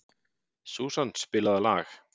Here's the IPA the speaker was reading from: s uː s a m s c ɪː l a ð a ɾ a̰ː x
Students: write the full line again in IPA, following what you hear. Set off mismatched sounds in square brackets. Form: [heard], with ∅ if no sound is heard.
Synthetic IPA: s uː s a [n] s [p] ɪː l a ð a [l] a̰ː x